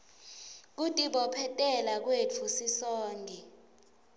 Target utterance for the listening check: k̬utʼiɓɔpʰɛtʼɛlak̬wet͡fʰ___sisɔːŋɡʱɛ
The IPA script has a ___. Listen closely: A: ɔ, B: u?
B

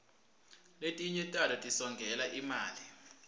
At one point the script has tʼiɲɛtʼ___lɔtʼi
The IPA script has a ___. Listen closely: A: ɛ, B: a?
B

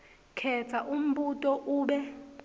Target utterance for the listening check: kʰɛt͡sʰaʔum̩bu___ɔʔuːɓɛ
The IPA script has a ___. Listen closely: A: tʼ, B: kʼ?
A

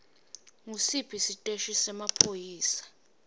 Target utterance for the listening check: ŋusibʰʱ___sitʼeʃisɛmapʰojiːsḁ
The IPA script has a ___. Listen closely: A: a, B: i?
B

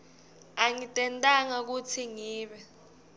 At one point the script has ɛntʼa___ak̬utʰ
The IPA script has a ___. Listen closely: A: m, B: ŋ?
B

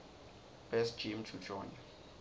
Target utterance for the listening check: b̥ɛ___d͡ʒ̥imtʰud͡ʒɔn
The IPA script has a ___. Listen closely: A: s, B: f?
A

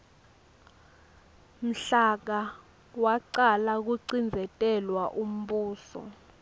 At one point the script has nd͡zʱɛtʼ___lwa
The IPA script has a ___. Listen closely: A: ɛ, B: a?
A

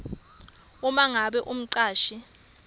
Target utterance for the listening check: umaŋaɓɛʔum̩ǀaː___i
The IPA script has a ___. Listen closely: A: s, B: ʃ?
B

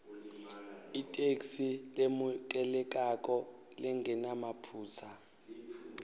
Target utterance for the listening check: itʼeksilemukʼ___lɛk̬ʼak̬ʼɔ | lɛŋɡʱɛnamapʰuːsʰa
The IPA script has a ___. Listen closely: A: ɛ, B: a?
A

